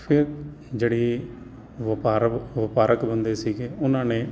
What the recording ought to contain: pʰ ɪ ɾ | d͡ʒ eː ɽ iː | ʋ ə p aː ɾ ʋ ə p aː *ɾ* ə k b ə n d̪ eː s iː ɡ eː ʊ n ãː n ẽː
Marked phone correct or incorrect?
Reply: correct